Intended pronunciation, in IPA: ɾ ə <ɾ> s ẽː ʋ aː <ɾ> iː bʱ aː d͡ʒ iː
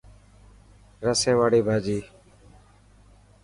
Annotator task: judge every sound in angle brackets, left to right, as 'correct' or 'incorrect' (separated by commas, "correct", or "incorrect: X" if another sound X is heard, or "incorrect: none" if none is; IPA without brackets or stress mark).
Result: incorrect: none, incorrect: ɽ